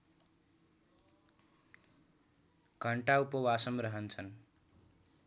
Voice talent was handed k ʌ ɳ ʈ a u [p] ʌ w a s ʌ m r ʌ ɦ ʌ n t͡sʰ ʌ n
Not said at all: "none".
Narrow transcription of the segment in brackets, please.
p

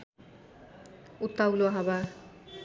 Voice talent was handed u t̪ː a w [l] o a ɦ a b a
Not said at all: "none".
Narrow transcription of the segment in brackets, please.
l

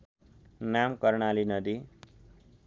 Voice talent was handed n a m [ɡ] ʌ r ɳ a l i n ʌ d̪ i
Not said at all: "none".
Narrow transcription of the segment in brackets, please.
k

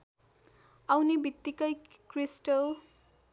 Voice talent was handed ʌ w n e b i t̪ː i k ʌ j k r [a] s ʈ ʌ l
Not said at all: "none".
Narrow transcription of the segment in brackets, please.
i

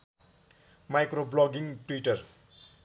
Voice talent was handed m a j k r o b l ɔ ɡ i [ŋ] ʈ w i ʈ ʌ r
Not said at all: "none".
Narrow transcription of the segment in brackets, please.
ŋ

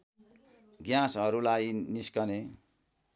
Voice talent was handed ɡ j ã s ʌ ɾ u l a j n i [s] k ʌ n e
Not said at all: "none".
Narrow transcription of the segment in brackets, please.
s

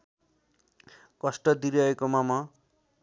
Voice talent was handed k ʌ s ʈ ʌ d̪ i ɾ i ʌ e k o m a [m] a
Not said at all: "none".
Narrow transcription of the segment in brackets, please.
m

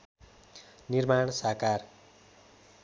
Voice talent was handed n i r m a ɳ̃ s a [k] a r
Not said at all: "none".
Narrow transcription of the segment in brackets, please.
k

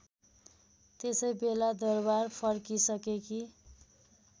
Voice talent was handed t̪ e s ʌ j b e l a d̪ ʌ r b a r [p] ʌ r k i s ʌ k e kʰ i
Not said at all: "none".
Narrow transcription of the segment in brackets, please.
pʰ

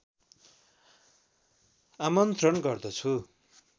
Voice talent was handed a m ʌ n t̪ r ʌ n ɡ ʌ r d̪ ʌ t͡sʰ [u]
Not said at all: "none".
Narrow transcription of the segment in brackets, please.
u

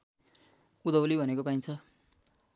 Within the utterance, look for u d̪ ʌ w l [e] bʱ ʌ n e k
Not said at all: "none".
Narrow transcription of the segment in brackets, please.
i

